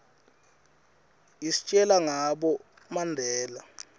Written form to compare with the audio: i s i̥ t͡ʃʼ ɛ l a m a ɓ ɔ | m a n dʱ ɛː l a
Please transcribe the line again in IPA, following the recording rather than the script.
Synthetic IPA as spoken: i s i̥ t͡ʃʼ ɛ l a ŋ a ɓ ɔ | m a n dʱ ɛː l a